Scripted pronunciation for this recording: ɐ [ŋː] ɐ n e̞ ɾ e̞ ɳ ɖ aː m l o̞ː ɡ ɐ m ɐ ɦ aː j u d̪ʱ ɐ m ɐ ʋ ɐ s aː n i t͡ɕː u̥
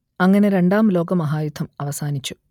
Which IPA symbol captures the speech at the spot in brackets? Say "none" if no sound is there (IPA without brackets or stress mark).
ŋː